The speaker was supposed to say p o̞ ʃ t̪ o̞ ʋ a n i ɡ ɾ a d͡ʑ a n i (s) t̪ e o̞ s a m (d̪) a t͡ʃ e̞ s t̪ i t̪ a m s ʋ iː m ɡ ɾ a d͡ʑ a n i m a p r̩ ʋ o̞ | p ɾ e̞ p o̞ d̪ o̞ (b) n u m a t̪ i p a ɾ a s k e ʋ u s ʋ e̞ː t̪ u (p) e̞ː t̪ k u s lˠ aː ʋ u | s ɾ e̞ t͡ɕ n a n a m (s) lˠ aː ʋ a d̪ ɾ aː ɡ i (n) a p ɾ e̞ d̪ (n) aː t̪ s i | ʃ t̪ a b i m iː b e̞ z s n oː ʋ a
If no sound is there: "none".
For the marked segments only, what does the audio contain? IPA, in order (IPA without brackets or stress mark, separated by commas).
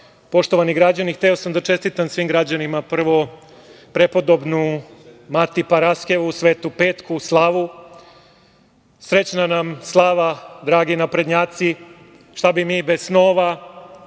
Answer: x, d̪, b, p, s, n, ɲ